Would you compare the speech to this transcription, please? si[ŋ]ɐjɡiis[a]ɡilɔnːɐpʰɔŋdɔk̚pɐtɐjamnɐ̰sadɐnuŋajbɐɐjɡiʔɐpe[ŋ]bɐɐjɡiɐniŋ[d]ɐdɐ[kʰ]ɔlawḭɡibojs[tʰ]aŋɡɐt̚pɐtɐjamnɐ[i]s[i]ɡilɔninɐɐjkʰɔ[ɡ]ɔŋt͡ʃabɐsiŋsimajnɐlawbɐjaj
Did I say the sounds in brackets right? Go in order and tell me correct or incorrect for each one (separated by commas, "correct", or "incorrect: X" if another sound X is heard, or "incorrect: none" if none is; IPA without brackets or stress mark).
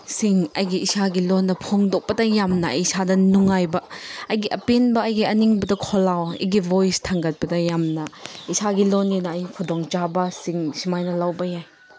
correct, correct, incorrect: n, incorrect: b, correct, correct, correct, incorrect: a, incorrect: d